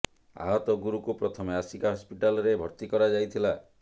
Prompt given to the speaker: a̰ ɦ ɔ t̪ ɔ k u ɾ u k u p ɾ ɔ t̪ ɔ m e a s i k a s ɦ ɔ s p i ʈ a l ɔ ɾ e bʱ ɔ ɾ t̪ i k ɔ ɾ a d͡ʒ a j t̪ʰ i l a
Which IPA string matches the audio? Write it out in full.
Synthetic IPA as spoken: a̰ ɦ ɔ t̪ ɔ ɡ u ɾ u k u p ɾ ɔ t̪ʰ ɔ m e a s i k a ɦ ɔ s p i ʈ a l ɔ ɾ e bʱ ɔ ɾ t̪ i k ɔ ɾ a d͡ʒ a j t̪ʰ i l a